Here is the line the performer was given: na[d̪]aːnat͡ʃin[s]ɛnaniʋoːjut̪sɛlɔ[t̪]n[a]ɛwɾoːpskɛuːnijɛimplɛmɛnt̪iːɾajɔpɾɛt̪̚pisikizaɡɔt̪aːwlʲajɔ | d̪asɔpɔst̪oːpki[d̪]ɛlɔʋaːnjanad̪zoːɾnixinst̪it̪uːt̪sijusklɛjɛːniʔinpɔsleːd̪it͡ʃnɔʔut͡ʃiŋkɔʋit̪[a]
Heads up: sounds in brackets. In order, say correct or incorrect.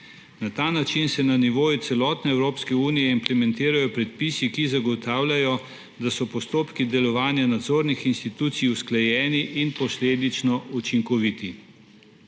incorrect: t̪, correct, correct, incorrect: ɛ, correct, incorrect: i

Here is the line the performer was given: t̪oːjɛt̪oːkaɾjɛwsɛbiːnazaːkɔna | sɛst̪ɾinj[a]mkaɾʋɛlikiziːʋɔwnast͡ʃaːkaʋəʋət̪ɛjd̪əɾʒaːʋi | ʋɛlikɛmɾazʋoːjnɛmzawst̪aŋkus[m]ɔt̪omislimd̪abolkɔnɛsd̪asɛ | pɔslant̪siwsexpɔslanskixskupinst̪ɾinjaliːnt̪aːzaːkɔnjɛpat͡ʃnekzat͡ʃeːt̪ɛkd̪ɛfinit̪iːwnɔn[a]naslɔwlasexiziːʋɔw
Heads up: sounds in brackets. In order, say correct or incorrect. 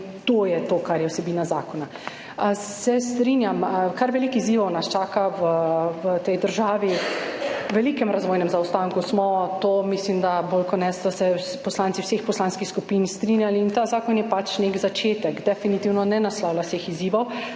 correct, correct, incorrect: ɛ

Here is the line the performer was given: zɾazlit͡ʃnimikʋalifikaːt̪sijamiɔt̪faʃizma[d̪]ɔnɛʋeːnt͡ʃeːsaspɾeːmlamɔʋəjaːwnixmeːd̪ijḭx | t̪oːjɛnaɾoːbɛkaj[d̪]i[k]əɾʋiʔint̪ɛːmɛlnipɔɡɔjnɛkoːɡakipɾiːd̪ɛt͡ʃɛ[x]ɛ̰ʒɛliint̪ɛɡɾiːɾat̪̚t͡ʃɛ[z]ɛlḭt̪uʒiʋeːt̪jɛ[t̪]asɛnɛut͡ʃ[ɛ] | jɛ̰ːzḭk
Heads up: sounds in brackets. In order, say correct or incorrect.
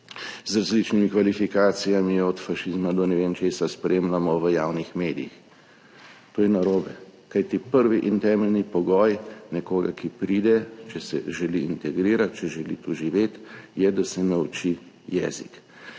correct, incorrect: t̪, incorrect: p, incorrect: s, incorrect: ʒ, incorrect: d̪, incorrect: i

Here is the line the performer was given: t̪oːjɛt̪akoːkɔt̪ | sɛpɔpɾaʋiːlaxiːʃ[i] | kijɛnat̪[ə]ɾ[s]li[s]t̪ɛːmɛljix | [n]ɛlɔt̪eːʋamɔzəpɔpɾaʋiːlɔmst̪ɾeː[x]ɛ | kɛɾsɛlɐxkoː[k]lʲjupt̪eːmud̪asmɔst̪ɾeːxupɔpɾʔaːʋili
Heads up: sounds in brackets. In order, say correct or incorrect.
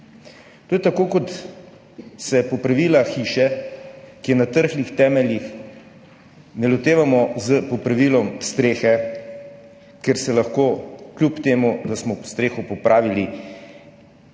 incorrect: ɛ, correct, incorrect: x, incorrect: x, correct, correct, correct

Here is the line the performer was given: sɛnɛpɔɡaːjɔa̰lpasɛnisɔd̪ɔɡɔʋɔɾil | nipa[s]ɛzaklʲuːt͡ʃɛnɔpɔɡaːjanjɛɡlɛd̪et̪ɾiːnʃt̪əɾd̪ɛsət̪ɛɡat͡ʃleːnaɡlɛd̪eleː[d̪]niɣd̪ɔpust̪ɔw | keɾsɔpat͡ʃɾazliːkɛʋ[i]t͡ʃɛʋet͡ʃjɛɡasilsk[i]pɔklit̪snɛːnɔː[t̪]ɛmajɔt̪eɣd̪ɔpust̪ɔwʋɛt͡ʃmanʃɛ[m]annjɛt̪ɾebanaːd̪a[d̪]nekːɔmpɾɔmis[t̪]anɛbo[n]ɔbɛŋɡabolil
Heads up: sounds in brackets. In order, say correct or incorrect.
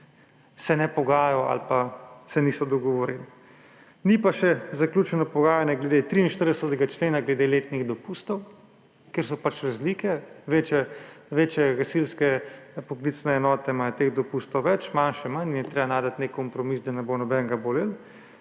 incorrect: ʃ, incorrect: t̪, incorrect: e, incorrect: ɛ, correct, correct, incorrect: t̪, incorrect: d̪, correct

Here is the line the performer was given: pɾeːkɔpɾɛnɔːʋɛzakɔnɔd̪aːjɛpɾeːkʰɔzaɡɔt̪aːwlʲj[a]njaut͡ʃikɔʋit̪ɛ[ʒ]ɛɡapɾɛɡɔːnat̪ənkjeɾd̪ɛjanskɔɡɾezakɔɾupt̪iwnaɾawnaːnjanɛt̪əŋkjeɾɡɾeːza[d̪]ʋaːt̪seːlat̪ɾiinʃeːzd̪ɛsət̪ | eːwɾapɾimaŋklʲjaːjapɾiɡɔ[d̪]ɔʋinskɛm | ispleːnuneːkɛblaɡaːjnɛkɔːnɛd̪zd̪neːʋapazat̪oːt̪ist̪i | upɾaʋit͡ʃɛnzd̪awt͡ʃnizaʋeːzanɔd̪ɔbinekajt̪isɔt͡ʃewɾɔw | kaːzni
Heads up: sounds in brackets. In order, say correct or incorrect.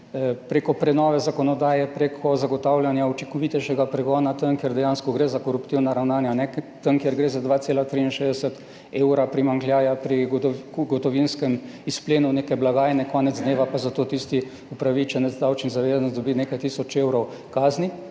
correct, incorrect: ʃ, correct, incorrect: t̪

